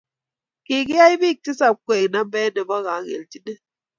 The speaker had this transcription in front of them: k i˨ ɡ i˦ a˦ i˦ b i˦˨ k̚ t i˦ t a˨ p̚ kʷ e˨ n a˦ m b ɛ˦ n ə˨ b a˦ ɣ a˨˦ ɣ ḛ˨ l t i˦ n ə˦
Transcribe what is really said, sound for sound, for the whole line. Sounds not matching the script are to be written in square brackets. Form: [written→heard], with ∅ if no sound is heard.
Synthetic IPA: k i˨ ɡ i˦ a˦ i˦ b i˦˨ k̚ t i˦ [t→s] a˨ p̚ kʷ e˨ n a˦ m b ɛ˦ n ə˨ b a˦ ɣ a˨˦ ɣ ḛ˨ l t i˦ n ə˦

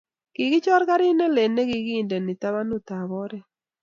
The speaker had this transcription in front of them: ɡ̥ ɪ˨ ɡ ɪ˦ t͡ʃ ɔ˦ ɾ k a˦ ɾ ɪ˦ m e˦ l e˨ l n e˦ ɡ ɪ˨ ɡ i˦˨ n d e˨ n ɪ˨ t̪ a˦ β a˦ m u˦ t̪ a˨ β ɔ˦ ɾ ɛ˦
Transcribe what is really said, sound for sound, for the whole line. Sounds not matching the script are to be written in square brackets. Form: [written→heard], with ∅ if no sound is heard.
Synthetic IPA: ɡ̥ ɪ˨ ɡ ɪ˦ t͡ʃ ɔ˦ ɾ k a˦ ɾ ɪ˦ [m→n] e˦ l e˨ [l→∅] n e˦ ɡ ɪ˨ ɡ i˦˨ n d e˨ n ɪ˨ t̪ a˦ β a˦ [m→n] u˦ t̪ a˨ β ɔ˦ ɾ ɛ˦

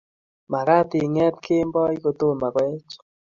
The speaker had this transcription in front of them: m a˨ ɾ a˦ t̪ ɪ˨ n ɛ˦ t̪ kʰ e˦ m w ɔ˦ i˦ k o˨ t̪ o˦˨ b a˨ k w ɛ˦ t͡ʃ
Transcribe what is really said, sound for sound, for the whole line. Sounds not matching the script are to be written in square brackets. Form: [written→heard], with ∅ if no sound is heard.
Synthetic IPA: m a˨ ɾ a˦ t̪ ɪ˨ [n→ŋ] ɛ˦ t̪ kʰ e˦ m [w→b] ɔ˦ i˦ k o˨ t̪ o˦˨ [b→m] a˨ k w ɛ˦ t͡ʃ

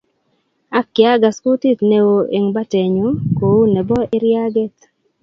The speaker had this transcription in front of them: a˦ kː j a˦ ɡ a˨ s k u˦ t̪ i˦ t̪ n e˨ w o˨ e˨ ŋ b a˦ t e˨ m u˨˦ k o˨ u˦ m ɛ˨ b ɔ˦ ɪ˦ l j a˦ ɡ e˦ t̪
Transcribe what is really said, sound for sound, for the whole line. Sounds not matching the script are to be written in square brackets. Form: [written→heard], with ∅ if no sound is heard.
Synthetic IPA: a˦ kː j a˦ ɡ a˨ s k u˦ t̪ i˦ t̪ n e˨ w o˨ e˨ ŋ b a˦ t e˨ [m→ɲ] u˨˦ k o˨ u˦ [m→n] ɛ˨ b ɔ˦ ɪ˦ [l→ɾ] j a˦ ɡ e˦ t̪

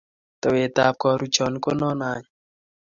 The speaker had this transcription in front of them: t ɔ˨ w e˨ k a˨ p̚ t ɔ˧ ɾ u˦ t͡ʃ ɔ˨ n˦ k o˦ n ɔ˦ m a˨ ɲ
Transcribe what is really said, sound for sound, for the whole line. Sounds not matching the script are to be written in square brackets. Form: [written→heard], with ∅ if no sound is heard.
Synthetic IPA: t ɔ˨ w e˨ [k→t] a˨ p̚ [t→k] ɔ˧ ɾ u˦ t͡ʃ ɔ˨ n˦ k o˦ n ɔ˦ [m→n] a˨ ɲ

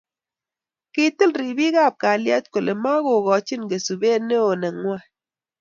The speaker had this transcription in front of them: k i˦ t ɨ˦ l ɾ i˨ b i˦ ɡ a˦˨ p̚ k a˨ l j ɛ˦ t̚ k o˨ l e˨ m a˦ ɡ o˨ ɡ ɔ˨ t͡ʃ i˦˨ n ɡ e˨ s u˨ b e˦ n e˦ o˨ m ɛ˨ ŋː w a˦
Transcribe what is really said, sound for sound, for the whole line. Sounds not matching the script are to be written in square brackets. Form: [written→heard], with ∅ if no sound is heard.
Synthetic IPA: k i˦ t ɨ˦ l ɾ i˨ b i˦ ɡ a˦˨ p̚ k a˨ l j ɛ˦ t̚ k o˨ l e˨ m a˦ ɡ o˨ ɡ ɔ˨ t͡ʃ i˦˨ n ɡ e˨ s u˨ b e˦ n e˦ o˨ [m→n] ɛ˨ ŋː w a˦

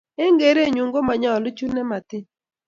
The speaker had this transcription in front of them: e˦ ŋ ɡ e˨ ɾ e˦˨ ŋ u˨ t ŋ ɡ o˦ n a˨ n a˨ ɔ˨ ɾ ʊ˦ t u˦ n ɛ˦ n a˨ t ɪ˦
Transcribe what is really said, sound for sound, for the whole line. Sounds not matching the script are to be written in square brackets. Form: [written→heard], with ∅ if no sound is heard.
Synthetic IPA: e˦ ŋ ɡ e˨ ɾ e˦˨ [ŋ→ɲ] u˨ [t→∅] ŋ ɡ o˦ [n→m] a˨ [n→ɲ] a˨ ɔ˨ [ɾ→l] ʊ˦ [t→t͡ʃ] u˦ n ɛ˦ [n→m] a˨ t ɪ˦

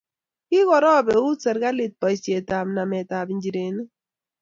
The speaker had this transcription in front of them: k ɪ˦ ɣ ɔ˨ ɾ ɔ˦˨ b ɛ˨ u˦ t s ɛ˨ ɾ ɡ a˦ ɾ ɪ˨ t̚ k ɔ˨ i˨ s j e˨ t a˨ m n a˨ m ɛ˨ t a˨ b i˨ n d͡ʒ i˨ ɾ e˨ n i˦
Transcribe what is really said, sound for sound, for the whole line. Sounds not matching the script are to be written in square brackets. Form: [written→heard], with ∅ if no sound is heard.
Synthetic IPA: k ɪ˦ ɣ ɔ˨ ɾ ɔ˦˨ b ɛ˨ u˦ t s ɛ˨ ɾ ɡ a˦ [ɾ→l] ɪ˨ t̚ [k→p] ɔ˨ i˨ s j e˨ t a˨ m n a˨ m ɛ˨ t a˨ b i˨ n d͡ʒ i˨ ɾ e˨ n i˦

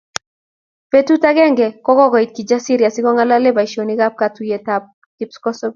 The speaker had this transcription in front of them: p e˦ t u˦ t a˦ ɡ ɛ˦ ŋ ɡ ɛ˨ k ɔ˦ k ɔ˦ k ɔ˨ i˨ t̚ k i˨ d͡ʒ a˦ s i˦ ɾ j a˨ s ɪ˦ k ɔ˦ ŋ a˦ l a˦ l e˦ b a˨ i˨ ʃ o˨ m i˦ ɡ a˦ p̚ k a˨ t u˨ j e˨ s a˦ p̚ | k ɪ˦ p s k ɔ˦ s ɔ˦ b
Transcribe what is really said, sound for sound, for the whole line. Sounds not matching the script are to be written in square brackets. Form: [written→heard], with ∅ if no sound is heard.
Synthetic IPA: p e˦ t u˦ t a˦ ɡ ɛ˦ ŋ ɡ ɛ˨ k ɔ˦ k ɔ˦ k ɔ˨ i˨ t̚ k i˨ d͡ʒ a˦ s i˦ ɾ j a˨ s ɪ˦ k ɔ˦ ŋ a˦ l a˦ l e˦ b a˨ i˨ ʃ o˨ [m→n] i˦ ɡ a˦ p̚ k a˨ t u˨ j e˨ [s→t] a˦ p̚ | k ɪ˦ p s k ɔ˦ s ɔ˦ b

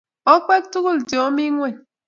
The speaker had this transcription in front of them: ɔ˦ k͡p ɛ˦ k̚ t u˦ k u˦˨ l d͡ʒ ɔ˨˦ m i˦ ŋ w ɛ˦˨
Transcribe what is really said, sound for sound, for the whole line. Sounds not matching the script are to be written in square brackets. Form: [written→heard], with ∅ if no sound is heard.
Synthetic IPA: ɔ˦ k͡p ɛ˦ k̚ t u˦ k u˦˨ l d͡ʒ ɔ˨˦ m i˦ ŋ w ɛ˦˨

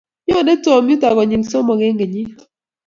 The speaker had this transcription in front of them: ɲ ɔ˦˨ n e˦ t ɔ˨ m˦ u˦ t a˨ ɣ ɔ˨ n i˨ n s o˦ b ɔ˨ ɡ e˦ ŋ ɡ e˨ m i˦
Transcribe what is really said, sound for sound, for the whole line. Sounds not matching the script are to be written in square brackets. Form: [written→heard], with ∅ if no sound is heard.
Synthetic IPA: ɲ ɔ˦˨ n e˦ t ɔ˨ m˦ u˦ t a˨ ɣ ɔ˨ [n→ɲ] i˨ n s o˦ [b→m] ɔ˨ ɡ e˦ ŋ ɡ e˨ [m→ɲ] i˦

